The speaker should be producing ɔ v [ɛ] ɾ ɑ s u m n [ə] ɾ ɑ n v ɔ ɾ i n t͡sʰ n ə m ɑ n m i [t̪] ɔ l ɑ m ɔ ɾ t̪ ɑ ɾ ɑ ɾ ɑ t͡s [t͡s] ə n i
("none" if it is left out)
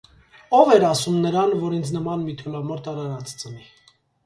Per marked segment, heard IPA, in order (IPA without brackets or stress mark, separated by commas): ɛ, ə, t̪ʰ, t͡s